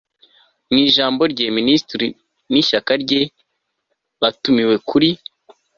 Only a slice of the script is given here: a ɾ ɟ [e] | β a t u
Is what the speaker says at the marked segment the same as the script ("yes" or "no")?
yes